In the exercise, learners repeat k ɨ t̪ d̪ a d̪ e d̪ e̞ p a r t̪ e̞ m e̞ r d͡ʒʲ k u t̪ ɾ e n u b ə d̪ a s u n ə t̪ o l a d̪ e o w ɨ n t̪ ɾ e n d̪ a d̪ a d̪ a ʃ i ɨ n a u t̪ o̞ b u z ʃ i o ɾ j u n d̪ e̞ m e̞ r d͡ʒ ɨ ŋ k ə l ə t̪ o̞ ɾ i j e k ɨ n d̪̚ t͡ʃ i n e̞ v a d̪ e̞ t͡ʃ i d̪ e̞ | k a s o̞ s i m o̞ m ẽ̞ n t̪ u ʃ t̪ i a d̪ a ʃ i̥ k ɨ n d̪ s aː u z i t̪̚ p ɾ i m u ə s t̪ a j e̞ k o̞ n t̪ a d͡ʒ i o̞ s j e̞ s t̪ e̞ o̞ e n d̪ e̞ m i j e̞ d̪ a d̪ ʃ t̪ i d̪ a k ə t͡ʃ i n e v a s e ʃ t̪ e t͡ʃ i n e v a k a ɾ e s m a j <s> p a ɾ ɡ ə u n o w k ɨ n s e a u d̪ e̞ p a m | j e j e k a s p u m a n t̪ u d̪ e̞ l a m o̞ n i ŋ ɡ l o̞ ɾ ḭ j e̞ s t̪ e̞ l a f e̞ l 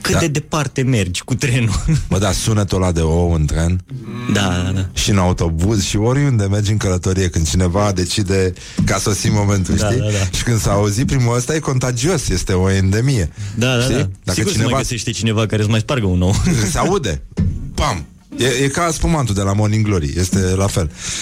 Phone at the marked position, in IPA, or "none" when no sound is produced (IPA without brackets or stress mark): s